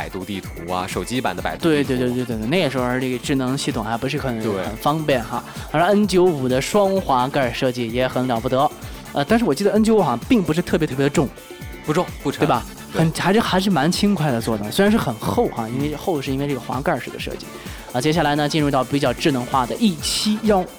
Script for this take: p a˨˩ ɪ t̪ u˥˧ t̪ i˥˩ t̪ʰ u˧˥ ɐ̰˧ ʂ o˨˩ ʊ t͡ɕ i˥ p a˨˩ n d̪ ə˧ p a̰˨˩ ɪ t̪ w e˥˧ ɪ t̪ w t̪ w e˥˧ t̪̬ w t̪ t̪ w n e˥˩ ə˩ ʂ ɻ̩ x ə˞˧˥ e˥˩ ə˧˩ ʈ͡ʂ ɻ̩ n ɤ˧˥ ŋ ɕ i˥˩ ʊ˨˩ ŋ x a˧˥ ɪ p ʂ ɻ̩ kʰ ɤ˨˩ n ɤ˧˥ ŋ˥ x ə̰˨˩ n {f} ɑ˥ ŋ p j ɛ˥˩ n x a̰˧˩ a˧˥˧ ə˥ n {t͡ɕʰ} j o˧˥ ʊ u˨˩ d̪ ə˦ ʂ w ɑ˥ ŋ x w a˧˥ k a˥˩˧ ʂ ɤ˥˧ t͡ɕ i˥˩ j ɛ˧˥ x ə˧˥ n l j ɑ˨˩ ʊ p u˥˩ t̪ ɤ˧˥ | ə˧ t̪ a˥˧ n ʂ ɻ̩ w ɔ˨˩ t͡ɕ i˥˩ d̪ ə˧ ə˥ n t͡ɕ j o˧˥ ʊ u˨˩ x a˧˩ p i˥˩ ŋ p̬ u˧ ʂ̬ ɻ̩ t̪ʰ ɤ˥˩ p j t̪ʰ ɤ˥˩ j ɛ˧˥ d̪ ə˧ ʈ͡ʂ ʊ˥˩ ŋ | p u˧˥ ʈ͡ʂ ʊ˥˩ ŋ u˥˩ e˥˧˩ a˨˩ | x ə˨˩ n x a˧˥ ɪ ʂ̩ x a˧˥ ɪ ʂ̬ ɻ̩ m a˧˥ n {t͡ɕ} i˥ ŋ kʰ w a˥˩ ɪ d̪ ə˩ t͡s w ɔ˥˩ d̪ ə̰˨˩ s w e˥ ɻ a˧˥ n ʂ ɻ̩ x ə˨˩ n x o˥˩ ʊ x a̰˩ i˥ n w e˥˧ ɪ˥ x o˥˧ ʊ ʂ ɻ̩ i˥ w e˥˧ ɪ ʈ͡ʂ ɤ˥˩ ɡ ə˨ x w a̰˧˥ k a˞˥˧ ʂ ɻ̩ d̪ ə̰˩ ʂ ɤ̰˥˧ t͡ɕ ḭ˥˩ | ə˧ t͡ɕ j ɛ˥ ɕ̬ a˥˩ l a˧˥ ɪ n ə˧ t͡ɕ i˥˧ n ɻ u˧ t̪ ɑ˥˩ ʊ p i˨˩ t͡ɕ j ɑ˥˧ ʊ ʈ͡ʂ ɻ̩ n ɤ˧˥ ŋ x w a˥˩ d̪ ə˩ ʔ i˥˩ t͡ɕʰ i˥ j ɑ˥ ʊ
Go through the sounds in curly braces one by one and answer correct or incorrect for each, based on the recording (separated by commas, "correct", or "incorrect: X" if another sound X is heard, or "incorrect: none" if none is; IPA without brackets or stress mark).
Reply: correct, incorrect: t͡ɕ, incorrect: t͡ɕʰ